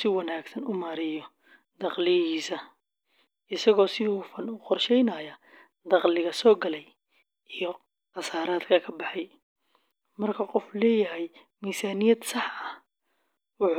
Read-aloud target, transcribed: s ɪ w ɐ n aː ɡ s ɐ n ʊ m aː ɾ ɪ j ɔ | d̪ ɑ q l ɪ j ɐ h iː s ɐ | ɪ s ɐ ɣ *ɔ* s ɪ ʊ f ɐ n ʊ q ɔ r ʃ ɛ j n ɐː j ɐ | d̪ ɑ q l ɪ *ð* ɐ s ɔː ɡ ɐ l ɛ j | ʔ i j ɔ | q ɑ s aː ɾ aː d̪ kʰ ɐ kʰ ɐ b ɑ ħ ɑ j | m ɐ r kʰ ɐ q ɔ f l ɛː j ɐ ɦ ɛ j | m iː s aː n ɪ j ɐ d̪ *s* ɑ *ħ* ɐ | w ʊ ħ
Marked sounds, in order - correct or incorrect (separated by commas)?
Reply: incorrect, incorrect, correct, correct